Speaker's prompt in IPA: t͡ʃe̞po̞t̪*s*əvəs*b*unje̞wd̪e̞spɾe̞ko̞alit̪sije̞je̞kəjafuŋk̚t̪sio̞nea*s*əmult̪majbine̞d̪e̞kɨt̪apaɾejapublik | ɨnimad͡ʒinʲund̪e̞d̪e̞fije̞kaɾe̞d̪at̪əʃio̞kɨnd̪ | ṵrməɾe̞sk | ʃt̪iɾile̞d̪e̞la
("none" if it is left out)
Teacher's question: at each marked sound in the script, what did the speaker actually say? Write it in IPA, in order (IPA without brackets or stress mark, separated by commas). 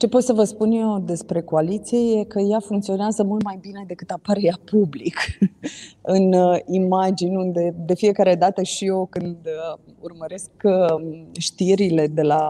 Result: s, p, z